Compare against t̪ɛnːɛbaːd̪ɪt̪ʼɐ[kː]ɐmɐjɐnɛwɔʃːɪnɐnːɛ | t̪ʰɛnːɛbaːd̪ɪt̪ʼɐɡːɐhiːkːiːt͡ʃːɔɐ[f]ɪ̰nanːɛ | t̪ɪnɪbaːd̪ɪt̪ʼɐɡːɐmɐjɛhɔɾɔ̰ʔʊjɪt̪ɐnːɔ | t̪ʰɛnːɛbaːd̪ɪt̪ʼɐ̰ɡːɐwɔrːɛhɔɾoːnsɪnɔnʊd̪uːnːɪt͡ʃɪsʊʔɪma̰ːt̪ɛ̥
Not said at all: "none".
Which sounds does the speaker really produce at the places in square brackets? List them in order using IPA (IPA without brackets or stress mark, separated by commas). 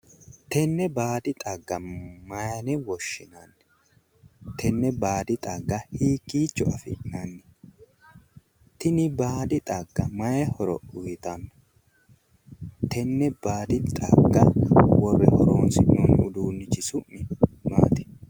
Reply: ɡː, f